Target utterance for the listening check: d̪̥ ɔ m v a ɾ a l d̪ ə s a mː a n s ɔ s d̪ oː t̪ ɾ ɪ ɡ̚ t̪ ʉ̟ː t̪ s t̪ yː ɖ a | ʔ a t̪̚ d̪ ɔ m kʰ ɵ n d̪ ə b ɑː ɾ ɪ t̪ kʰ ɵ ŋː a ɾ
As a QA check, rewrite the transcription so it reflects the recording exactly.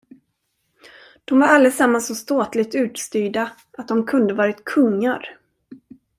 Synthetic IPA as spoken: d̪̥ ɔ m v a ɾ a l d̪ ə s a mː a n s ɔ s t̪ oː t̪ l ɪ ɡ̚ t̪ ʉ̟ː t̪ s t̪ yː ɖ a | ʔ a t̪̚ d̪ ɔ m kʰ ɵ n d̪ ə v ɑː ɾ ɪ t̪ kʰ ɵ ŋː a ɾ

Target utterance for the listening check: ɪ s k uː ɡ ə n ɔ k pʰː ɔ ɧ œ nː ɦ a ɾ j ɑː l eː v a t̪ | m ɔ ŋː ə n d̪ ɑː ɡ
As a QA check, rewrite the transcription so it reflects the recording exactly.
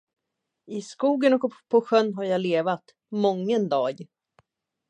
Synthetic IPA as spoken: ɪ s k uː ɡ ə n ɔ k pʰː ɔ ɧ œ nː ɦ a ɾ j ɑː l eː v a t̪ | m ɔ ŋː ə n d̪ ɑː ɡ

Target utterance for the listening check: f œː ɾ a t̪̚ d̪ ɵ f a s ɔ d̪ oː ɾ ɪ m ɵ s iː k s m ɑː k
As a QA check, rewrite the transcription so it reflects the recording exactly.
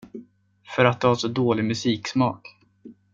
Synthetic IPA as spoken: f œ ɾ a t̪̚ d̪ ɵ h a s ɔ d̪ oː l ɪ m ɵ s iː k s m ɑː k

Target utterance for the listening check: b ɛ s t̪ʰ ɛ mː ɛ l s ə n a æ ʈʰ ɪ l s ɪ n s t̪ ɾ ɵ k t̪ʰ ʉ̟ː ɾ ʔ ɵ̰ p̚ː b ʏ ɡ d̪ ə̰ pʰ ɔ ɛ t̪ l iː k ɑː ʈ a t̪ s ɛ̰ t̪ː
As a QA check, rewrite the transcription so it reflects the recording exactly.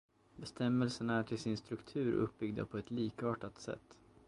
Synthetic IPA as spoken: b ɛ s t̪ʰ ɛ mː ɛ l s ə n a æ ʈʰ ɪ l s ɪ n s t̪ ɾ ɵ k t̪ʰ ʉ̟ː ɾ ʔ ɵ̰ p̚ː b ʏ ɡ d̪ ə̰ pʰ ɔ ɛ t̪ l iː k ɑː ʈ a t̪ s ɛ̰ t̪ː

